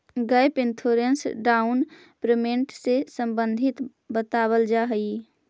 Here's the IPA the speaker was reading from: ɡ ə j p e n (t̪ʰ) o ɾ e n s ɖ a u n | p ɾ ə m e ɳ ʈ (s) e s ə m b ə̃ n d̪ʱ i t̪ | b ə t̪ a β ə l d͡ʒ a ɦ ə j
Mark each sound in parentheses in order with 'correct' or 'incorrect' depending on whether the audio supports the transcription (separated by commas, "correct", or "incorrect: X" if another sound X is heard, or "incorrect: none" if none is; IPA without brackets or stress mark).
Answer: correct, correct